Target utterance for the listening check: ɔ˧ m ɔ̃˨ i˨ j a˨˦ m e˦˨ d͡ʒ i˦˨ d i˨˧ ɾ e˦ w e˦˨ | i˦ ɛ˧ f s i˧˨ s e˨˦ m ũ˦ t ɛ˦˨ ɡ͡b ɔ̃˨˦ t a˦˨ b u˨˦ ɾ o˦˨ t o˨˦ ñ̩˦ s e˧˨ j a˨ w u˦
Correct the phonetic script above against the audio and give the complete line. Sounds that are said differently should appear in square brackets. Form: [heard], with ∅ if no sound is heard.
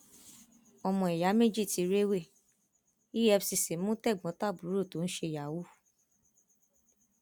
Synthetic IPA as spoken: ɔ˧ m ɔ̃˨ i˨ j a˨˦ m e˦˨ d͡ʒ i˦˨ [t] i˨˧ ɾ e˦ w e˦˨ | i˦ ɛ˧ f s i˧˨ s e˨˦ m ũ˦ t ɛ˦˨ ɡ͡b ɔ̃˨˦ t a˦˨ b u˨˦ ɾ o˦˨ t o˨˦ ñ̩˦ [ʃ] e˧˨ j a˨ w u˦